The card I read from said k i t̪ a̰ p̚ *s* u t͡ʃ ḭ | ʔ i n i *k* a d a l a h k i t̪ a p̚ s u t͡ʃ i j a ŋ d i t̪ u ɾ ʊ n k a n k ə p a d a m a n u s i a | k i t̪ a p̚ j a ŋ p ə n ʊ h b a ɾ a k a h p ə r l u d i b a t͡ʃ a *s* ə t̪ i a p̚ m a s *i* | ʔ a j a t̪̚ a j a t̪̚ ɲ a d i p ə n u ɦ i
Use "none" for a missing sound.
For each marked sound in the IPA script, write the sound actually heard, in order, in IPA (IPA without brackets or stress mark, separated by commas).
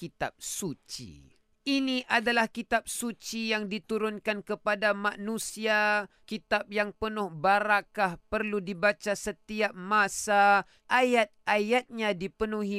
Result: s, ʔ, s, a